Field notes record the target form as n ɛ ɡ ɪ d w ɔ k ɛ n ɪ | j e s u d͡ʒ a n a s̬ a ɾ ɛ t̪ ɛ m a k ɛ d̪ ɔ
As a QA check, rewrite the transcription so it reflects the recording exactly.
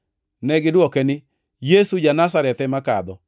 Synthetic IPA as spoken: n ɛ ɡ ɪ d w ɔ k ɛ n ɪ | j e s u d͡ʒ a n a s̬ a ɾ ɛ t̪ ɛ m a k a d̪ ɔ